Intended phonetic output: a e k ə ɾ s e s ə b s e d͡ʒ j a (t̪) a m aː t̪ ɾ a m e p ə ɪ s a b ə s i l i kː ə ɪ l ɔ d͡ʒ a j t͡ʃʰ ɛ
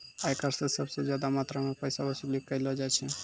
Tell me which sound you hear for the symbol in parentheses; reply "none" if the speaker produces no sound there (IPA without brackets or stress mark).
d̪